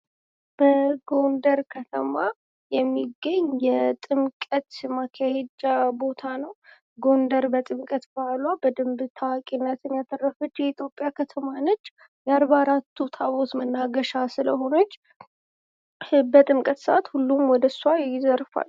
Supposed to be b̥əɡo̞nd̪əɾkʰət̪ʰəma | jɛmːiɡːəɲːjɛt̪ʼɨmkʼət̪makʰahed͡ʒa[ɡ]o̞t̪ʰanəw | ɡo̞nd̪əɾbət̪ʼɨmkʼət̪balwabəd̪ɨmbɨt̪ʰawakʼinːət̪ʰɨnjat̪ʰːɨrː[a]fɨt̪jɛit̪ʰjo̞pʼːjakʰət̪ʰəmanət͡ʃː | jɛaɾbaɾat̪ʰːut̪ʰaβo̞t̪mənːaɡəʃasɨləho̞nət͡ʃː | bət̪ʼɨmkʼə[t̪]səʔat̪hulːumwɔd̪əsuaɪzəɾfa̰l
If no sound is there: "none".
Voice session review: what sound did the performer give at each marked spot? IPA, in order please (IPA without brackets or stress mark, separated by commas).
b, ə, t̪